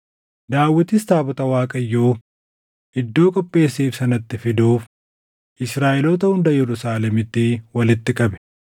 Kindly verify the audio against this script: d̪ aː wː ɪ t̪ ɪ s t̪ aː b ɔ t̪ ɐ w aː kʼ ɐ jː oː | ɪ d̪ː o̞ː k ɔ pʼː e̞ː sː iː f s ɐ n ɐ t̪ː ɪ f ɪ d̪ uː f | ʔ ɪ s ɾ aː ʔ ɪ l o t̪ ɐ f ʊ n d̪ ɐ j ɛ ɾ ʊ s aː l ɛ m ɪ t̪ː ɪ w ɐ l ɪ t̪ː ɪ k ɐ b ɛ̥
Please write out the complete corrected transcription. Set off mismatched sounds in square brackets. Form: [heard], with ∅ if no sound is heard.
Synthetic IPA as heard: d̪ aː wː ɪ t̪ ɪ s t̪ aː b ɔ t̪ ɐ w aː kʼ ɐ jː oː | ɪ d̪ː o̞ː [kʼ] ɔ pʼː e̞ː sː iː f s ɐ n ɐ t̪ː ɪ f ɪ d̪ uː f | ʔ ɪ s ɾ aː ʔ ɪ l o t̪ ɐ [h] ʊ n d̪ ɐ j ɛ ɾ ʊ s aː l ɛ m ɪ t̪ː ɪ w ɐ l ɪ t̪ː ɪ [kʼ] ɐ b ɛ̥